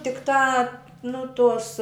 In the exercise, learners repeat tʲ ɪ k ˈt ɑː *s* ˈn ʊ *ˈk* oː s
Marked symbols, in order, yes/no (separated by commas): no, no